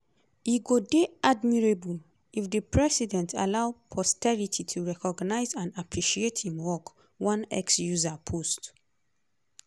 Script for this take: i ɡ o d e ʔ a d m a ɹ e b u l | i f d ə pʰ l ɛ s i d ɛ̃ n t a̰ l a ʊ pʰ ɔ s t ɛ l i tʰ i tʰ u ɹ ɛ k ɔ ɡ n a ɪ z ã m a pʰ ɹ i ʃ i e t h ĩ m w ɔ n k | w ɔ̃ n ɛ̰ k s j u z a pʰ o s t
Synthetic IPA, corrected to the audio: i ɡ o d e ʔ a d m i ɹ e b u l | i f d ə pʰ ɹ ɛ s i d ɛ̃ n t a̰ l a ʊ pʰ ɔ s t ɛ ɹ i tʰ i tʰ u ɹ ɛ k ɔ ɡ n a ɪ z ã n a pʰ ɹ i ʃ i e t h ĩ m w ɔ k | w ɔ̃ n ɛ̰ k s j u z a pʰ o s t